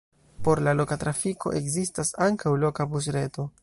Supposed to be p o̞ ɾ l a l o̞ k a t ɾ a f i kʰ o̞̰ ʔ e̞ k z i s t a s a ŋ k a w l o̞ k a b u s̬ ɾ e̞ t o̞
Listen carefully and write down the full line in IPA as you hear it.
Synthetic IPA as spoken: p o̞ ɾ l a l o̞ k a t ɾ a f i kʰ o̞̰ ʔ e̞ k z i s t a s a ŋ k a w l o̞ k a b u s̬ ɾ e̞ t o̞